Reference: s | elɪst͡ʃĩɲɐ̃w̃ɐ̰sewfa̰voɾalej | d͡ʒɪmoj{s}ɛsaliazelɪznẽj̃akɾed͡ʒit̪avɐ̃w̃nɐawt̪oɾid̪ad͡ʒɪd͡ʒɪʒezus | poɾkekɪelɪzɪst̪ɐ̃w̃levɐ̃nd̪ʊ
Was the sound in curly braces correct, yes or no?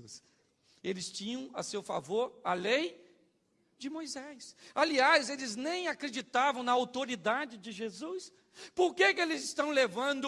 no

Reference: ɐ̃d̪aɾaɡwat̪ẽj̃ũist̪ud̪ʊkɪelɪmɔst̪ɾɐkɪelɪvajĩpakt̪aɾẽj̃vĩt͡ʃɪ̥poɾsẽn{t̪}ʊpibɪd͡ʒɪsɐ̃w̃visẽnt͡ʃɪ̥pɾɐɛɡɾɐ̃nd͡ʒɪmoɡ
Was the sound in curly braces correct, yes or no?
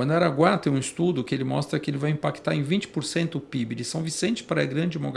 yes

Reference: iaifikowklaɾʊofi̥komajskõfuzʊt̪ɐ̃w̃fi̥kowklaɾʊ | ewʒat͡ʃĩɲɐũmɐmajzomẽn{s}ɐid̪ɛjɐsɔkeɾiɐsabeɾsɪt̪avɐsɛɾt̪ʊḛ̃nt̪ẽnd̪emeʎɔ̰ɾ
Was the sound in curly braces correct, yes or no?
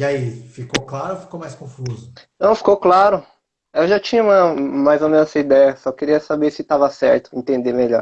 yes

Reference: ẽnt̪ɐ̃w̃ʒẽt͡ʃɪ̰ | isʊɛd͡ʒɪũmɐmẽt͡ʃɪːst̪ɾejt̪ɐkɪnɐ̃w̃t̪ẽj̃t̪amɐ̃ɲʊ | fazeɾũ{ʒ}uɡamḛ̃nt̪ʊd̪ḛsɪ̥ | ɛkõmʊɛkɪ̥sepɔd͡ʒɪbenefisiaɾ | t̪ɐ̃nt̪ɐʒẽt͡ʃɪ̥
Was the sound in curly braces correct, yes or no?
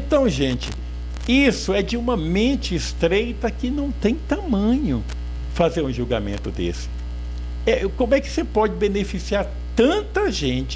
yes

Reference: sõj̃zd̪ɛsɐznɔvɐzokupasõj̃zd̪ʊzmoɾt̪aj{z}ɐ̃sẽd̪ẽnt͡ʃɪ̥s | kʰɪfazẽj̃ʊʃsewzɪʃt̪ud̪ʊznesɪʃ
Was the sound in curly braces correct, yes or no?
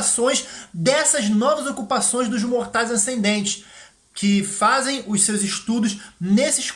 yes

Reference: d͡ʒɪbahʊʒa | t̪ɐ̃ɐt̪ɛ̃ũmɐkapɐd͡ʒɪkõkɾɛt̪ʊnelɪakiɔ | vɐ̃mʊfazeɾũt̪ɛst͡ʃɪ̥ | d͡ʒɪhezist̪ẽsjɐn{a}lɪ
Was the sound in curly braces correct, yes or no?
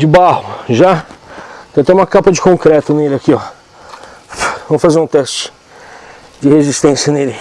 no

